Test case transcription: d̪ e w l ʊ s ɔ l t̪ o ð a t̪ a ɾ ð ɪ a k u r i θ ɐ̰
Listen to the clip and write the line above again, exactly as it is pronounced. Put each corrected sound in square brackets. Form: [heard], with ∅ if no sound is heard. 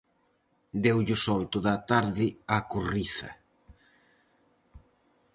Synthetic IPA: d̪ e w [ʎ] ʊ s ɔ l t̪ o ð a t̪ a ɾ ð ɪ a k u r i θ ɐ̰